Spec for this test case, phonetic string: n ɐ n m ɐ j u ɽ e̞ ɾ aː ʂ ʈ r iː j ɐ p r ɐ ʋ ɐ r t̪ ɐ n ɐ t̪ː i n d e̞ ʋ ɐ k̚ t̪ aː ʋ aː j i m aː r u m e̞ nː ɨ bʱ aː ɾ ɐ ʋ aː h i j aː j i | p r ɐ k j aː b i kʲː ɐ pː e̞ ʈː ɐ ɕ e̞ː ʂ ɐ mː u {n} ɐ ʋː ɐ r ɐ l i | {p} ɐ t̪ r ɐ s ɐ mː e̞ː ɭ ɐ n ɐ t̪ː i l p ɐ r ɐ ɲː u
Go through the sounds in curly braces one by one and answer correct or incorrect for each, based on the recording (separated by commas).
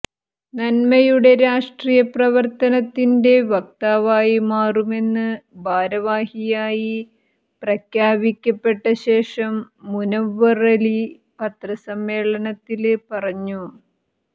correct, correct